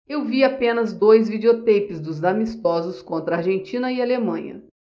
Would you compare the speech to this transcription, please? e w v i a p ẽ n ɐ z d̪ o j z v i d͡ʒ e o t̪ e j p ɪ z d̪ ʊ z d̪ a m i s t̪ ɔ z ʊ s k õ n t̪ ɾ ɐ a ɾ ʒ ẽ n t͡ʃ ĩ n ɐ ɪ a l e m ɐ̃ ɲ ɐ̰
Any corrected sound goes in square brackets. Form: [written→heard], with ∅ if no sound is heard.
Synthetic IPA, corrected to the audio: e w v i a p ẽ n ɐ z d̪ o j z v i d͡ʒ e o t̪ e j p ɪ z d̪ ʊ z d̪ a m i s t̪ ɔ z ʊ s k õ n t̪ ɾ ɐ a ɾ ʒ ẽ n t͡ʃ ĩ n ɐ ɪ a l e m ɐ̃ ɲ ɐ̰